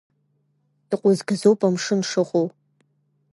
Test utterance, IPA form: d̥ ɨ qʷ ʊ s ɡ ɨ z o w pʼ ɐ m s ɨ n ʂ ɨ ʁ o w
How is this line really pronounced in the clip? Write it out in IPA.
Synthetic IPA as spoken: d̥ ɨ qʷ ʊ z ɡ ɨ z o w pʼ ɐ m ʂ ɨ n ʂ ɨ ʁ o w